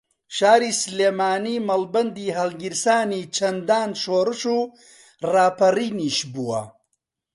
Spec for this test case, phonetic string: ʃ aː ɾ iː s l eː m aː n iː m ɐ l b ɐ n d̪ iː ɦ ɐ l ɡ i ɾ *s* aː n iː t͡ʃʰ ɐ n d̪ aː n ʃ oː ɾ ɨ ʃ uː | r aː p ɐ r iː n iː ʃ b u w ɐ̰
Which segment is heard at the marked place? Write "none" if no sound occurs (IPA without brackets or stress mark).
s